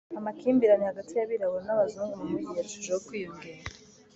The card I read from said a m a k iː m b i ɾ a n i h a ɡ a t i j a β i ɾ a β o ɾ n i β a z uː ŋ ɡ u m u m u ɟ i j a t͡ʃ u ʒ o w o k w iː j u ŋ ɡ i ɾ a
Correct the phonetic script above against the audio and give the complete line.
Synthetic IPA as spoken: a m a k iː m b i ɾ a n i h a ɡ a t i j a β i ɾ a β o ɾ n a β a z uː ŋ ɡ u m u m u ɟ i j a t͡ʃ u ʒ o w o k w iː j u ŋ ɡ i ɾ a